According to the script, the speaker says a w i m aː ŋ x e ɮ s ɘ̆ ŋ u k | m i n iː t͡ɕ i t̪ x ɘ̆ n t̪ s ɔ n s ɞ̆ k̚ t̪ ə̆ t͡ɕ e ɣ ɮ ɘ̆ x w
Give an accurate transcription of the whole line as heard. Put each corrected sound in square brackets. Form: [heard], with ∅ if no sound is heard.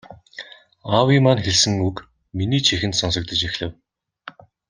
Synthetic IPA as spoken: a w i m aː [n] x e ɮ s ɘ̆ ŋ u k | m i n iː [t͡ɕʰ] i [∅] x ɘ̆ n t̪ s ɔ n s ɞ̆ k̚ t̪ ə̆ t͡ɕ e [x] ɮ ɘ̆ [∅] w